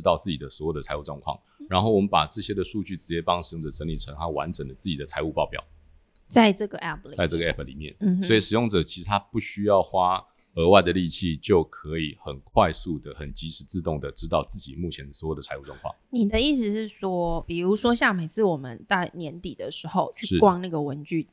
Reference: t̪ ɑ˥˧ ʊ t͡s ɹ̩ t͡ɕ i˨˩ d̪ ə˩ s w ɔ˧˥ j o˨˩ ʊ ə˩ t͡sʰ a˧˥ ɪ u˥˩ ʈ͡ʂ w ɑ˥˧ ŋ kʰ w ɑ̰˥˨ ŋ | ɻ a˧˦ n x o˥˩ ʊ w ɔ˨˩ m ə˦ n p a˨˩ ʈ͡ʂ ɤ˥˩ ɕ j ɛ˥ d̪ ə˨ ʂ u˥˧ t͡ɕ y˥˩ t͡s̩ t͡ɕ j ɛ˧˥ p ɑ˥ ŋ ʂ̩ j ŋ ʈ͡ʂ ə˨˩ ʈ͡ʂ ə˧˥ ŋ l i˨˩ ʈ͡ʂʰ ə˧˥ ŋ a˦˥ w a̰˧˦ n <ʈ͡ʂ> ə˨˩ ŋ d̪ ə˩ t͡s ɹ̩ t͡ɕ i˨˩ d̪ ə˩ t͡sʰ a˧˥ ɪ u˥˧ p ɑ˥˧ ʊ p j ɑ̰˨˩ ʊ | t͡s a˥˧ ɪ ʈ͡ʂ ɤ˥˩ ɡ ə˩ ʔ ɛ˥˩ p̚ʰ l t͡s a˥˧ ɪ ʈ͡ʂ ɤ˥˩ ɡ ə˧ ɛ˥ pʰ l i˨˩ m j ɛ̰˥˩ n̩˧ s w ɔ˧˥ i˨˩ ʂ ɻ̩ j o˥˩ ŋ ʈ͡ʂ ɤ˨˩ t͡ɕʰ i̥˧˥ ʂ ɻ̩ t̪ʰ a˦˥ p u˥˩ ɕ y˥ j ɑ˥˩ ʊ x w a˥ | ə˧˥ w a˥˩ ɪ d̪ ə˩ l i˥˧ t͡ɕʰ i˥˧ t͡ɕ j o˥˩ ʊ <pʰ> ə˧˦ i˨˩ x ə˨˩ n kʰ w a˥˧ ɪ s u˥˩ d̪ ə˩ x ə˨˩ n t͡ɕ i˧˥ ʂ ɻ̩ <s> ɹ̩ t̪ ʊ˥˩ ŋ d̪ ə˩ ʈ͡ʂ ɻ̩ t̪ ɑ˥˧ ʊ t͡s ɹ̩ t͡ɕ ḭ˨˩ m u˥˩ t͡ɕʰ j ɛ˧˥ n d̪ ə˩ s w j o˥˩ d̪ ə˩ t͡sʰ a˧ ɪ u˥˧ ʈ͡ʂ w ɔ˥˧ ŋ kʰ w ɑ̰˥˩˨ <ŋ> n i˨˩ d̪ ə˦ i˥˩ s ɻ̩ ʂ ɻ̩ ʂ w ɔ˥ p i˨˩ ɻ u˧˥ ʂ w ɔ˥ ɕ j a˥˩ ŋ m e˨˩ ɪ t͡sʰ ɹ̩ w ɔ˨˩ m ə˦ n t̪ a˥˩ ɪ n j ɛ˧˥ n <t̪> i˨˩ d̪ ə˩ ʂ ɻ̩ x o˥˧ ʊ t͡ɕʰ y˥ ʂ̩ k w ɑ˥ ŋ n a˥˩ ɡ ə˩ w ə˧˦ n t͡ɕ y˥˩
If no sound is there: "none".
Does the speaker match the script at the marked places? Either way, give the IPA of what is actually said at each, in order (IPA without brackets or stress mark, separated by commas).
ʈ͡ʂ, kʰ, t͡s, ŋ, t̪